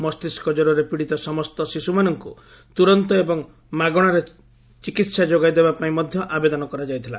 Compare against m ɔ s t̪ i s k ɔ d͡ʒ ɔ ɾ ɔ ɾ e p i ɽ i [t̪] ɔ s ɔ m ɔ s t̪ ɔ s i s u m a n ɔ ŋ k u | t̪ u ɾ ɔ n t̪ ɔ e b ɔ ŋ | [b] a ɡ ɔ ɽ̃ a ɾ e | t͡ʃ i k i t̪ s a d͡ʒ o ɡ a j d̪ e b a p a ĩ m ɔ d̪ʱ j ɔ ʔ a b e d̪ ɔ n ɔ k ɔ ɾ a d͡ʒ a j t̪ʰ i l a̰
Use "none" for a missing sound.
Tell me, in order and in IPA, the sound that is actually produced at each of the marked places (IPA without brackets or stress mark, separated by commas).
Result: t̪, m